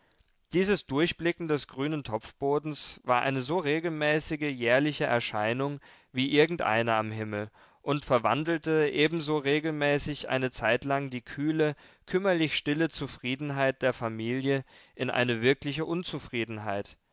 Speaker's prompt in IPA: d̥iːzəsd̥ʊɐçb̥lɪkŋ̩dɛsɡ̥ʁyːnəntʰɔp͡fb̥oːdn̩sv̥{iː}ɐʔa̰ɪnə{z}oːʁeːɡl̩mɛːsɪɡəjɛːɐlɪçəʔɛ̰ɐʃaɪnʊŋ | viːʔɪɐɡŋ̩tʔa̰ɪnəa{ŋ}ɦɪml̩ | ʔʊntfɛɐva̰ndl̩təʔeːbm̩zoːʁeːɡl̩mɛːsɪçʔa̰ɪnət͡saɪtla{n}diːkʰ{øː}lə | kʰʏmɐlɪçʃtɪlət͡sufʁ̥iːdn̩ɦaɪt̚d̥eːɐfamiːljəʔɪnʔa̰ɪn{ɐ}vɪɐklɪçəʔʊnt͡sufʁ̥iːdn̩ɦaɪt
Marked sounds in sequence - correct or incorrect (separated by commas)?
incorrect, correct, incorrect, incorrect, incorrect, incorrect